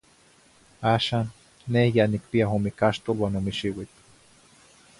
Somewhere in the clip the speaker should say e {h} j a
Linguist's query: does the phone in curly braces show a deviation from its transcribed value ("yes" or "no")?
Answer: no